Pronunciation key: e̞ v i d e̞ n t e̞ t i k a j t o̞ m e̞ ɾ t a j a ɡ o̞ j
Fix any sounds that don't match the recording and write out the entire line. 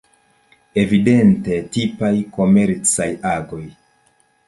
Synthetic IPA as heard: e̞ v i d e̞ n t e̞ t i p a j k o̞ m e̞ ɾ t͡s a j a ɡ o̞ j